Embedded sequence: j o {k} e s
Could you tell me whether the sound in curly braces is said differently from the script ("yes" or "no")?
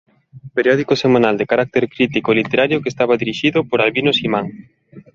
no